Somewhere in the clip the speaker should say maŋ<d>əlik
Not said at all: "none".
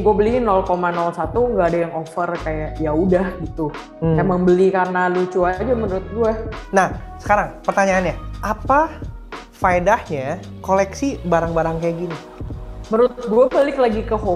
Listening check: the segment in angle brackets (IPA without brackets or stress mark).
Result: b